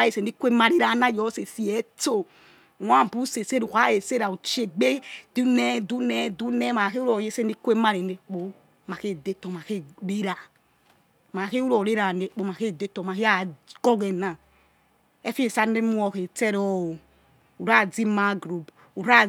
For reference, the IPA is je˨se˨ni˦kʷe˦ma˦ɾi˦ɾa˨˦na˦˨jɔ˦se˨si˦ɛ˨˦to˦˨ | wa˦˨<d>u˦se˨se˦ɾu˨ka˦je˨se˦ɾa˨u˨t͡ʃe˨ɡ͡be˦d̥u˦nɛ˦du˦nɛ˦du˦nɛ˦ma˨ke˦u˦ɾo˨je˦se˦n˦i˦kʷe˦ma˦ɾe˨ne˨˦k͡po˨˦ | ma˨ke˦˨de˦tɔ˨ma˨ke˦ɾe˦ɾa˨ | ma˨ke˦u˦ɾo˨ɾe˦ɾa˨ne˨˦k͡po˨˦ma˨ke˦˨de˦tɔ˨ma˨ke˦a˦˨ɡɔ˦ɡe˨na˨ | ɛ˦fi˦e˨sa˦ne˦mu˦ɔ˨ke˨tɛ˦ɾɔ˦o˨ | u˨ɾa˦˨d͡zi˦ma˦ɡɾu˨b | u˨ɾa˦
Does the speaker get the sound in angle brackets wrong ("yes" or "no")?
yes